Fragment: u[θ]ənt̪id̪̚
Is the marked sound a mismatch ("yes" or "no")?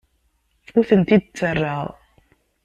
no